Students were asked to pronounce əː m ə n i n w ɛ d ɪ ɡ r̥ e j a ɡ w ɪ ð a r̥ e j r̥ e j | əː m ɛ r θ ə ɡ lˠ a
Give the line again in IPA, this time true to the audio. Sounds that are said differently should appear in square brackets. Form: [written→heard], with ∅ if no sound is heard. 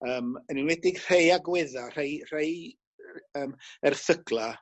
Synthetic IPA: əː m ə n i n w ɛ d ɪ ɡ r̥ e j a ɡ w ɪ ð a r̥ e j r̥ e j | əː m ɛ r θ ə ɡ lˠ a